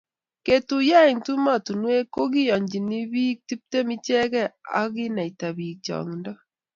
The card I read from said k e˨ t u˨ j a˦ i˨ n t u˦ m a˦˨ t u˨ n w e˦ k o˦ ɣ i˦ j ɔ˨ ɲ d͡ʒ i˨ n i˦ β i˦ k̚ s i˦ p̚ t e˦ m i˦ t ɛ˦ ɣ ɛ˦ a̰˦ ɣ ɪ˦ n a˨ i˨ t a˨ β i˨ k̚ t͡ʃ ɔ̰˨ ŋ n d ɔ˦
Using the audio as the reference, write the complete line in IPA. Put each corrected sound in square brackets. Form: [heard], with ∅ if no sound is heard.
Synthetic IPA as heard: k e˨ t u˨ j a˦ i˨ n t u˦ m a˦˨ t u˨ n w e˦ k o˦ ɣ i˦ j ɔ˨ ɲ d͡ʒ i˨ n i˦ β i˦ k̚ [t] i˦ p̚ t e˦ m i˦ [t͡ʃ] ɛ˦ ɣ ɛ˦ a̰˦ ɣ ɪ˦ n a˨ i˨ t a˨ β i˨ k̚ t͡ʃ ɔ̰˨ ŋ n d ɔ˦

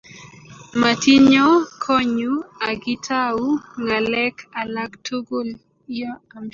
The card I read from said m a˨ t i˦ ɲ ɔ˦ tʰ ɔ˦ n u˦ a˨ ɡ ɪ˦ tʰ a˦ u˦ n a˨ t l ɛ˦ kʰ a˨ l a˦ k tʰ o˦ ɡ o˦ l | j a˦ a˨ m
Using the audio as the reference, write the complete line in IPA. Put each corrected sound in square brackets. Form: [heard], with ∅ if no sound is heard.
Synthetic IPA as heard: m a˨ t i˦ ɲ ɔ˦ [kʰ] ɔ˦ [ɲ] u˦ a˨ ɡ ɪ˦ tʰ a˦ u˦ [ŋ] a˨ [∅] l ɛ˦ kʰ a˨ l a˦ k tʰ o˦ ɡ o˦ l | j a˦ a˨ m

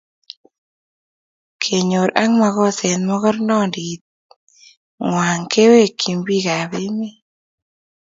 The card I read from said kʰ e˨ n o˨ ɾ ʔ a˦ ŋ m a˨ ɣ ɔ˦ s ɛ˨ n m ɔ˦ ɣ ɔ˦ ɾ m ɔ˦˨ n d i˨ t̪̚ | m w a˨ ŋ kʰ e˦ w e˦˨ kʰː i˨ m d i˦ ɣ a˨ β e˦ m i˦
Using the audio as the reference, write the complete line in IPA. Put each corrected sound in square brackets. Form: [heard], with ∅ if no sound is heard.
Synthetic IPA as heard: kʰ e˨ [ɲ] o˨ ɾ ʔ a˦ ŋ m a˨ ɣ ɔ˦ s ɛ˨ n m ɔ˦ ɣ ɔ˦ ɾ [n] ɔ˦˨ n d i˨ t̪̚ | [ŋ] w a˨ ŋ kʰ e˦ w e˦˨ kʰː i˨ m [b] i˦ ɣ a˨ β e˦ m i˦

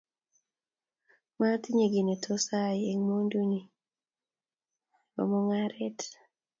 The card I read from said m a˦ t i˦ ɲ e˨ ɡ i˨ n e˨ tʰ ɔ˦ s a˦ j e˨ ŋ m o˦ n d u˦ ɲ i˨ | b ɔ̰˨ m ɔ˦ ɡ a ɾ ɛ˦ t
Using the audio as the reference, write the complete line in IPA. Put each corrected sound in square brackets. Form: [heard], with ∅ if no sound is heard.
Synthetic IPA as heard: m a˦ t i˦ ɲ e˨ ɡ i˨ n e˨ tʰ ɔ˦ s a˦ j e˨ ŋ m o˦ n d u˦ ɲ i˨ | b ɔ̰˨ m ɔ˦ [ŋ] a ɾ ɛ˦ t

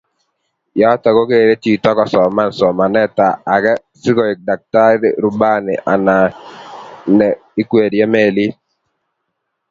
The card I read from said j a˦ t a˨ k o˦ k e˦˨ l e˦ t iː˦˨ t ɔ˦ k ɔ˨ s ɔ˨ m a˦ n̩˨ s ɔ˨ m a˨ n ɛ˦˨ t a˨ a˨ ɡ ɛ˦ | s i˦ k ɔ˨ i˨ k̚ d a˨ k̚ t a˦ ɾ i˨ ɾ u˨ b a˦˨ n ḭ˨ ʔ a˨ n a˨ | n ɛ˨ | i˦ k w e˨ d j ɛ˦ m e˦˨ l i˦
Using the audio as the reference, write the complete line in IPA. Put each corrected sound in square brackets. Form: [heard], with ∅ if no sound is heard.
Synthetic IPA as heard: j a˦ t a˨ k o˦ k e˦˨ [ɾ] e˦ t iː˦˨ t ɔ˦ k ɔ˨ s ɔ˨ m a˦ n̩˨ s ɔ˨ m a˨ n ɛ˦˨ t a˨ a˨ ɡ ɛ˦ | s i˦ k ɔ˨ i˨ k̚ d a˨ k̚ t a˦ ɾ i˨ ɾ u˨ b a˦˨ n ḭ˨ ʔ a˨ n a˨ | n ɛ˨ | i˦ k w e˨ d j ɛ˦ m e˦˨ l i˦

